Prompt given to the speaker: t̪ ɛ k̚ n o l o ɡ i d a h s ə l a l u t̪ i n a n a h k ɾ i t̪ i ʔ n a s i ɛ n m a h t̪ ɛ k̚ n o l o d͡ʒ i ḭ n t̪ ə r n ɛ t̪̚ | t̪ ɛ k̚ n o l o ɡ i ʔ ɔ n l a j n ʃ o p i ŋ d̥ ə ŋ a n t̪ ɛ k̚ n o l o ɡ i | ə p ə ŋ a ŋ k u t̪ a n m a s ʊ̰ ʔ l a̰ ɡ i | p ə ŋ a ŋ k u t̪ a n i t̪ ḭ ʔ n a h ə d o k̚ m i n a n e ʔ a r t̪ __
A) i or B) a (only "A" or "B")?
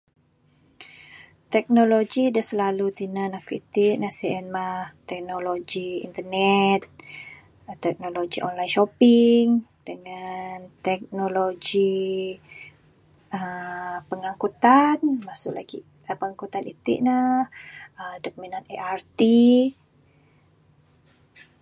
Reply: A